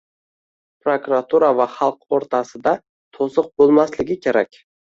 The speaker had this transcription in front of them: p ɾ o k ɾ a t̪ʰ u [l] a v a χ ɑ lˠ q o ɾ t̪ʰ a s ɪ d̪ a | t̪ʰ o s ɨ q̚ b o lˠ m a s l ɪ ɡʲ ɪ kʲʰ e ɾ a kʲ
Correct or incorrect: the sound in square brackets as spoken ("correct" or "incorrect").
incorrect